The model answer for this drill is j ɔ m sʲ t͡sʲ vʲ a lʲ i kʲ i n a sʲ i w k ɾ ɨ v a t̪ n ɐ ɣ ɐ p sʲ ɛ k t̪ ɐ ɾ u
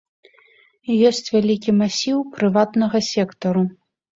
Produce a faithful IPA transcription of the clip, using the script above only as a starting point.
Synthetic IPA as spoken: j ɔ sʲ t͡sʲ vʲ a lʲ i kʲ i m a sʲ i w p ɾ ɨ v a t̪ n ɐ ɣ ɐ sʲ ɛ k t̪ ɐ ɾ u